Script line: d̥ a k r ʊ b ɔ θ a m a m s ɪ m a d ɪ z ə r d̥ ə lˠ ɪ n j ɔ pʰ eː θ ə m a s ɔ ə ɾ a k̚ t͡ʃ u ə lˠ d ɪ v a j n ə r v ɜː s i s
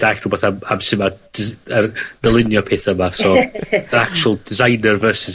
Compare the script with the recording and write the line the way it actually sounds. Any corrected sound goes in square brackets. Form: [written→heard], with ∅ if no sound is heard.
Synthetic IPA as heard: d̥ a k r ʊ b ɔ θ a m a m s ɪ m a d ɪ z ə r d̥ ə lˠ ɪ n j ɔ pʰ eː θ ə m a s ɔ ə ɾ a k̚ t͡ʃ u ə lˠ d ɪ [v→z] a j n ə r v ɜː s [i→ɪ] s